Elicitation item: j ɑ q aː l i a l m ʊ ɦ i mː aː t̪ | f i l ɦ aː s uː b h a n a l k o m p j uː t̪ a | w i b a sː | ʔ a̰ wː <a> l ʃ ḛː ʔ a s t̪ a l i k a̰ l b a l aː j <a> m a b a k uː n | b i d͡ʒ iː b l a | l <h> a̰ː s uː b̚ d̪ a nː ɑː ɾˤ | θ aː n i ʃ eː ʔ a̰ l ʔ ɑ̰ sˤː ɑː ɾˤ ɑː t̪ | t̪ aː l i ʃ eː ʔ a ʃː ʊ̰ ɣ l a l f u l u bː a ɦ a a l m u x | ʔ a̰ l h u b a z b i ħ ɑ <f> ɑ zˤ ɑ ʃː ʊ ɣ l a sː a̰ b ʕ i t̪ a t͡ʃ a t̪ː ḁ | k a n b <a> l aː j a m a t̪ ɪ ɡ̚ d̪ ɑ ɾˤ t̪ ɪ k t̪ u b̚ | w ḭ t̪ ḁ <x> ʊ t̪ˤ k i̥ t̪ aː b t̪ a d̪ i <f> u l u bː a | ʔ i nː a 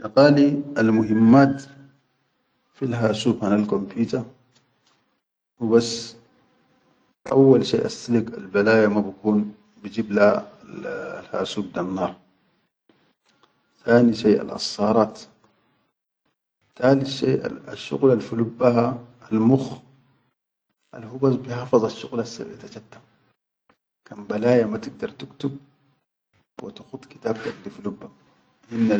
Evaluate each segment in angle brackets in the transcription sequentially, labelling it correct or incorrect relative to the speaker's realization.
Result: correct, correct, correct, correct, correct, correct, correct

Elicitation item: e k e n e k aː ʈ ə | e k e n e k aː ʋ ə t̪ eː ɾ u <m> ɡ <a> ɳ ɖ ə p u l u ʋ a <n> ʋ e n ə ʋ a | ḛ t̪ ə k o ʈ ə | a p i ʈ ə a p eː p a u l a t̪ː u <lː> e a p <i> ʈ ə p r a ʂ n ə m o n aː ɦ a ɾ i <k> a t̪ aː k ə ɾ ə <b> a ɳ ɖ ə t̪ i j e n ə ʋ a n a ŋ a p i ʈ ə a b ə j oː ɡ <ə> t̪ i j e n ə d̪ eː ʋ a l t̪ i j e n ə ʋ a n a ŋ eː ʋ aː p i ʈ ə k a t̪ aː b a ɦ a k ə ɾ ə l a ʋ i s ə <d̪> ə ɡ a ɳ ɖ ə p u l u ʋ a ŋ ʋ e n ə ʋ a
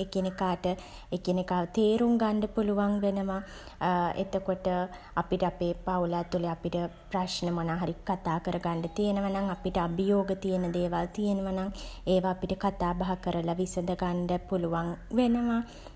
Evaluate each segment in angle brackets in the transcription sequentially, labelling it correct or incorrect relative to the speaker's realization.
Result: incorrect: ŋ, correct, incorrect: ŋ, incorrect: l, correct, correct, incorrect: ɡ, correct, correct

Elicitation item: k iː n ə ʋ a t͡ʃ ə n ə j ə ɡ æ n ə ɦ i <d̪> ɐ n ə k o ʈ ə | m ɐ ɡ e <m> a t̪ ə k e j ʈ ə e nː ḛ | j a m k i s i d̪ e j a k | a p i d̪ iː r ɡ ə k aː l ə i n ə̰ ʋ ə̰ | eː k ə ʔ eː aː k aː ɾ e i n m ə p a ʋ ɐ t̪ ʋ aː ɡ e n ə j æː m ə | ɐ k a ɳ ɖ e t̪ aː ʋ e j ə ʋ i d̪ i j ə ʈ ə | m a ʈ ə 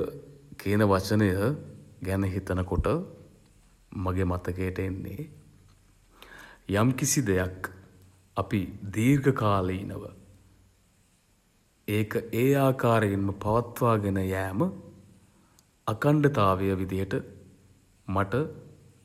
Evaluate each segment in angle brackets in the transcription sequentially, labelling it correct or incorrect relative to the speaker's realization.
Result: incorrect: t̪, correct

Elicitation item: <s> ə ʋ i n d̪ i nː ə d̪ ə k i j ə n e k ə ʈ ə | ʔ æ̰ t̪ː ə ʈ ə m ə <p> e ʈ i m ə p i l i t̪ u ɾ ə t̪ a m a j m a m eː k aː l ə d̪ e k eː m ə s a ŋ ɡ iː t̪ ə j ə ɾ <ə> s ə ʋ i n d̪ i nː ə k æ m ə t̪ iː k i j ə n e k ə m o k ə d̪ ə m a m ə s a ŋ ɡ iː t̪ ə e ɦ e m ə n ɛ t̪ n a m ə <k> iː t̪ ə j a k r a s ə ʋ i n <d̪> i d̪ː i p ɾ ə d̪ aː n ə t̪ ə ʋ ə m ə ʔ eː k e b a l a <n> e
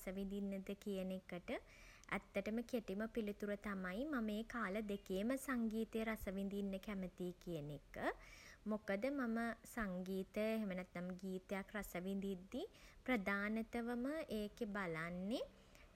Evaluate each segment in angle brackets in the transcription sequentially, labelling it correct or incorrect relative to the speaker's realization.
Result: correct, incorrect: k, incorrect: a, incorrect: ɡ, correct, incorrect: nː

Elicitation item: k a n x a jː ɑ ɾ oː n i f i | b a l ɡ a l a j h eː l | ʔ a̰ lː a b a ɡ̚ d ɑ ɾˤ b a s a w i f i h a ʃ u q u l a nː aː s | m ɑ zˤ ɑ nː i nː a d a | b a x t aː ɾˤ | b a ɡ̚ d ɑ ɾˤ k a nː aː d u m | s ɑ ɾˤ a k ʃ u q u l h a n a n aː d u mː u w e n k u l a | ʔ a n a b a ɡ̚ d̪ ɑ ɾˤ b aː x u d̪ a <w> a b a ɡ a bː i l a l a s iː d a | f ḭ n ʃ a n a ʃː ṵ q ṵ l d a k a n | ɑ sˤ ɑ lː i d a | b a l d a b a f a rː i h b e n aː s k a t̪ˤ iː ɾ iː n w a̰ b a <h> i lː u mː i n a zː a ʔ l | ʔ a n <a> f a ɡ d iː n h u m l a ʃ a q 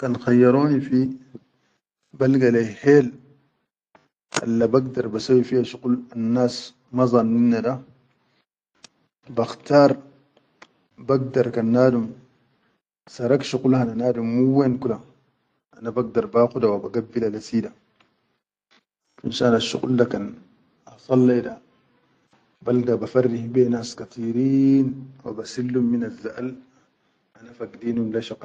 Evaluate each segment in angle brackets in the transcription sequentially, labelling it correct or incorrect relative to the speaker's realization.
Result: correct, incorrect: s, correct

